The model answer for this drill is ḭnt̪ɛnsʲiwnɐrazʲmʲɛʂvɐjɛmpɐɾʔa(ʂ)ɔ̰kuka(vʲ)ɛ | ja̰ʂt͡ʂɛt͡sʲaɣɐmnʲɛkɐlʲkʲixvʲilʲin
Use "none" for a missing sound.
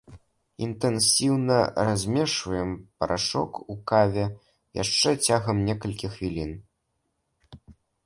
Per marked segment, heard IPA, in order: ʂ, vʲ

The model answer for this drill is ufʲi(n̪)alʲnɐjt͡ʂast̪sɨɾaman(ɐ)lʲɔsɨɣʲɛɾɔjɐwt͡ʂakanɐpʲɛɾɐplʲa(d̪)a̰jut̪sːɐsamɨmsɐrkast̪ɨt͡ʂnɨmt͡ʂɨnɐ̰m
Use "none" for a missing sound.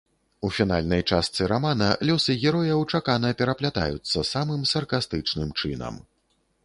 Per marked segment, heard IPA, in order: n̪, ɐ, t̪

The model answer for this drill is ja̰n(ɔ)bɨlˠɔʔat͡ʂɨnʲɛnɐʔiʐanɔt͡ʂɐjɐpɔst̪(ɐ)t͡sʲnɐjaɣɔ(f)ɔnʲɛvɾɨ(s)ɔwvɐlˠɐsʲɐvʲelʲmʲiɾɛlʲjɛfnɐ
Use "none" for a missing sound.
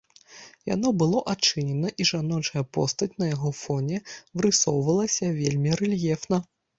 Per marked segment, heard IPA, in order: ɔ, ɐ, f, s

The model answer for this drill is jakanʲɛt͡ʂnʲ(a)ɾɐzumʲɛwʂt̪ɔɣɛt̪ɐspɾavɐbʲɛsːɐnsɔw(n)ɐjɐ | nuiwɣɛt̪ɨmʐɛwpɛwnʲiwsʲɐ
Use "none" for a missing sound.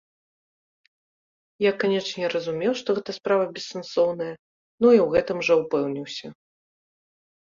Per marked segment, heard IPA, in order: ɛ, n

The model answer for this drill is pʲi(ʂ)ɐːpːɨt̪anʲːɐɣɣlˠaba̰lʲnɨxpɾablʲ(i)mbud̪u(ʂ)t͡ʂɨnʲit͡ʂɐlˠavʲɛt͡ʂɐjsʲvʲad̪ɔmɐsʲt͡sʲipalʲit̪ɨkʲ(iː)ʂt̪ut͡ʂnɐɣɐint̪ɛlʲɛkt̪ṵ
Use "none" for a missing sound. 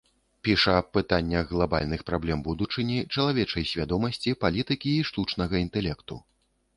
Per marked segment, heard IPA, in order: ʂ, ɛ, none, iː

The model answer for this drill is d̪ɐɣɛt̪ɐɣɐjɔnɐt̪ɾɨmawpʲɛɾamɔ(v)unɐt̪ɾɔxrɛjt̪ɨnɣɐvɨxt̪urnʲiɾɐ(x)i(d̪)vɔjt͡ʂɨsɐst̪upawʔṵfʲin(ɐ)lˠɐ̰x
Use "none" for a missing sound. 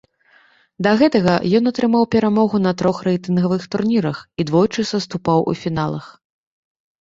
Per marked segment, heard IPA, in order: ɣ, x, d̪, a

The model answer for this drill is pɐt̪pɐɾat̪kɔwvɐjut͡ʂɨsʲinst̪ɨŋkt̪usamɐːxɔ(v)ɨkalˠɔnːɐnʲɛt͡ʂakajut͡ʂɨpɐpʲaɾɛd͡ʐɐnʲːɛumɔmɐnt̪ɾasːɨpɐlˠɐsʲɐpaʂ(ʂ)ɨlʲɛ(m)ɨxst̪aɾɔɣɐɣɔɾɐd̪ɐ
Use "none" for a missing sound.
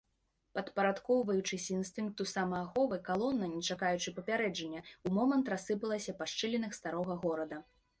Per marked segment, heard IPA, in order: v, t͡ʂ, n

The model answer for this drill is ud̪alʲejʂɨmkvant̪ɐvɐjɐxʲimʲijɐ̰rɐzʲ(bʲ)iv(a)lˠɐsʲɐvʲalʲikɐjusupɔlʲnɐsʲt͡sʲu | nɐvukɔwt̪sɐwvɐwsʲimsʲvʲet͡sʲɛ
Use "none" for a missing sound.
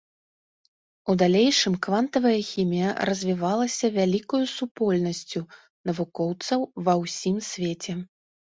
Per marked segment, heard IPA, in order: vʲ, a

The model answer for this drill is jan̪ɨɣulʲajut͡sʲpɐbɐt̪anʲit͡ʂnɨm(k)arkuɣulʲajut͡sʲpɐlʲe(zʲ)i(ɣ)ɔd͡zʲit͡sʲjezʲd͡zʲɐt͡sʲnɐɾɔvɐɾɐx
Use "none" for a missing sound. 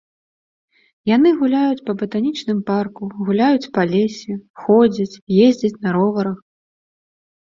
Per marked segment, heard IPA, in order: p, sʲ, x

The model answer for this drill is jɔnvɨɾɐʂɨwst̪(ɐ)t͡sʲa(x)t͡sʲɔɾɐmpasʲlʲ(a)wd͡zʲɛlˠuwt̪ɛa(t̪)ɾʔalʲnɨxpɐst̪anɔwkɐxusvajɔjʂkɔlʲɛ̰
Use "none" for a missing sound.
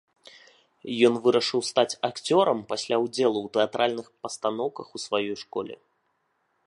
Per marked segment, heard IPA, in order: a, k, a, t̪

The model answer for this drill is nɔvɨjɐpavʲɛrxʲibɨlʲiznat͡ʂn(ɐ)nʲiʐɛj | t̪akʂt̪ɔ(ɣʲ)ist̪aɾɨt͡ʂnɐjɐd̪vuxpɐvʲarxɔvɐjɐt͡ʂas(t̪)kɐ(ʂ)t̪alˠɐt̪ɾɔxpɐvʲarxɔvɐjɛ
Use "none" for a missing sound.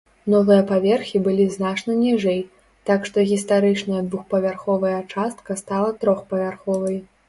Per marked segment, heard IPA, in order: ɐ, ɣʲ, t̪, s

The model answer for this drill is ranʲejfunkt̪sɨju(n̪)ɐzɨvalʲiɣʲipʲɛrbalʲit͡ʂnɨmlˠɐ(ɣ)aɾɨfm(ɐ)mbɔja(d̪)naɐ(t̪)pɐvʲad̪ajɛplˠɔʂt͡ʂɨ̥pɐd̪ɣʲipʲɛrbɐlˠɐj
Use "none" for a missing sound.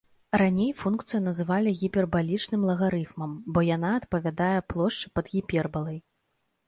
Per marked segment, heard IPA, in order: n̪, ɣ, ɐ, none, t̪

